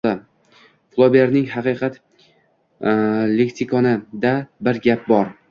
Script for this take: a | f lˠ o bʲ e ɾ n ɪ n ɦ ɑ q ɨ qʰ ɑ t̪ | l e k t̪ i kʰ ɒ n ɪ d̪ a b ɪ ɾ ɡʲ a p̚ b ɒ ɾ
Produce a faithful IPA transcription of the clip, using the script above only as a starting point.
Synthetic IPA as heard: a | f lˠ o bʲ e ɾ n ɪ ŋ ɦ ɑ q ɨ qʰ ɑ t̪ | l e k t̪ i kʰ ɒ n ɪ d̪ a b ɪ ɾ ɡʲ a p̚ b ɒ ɾ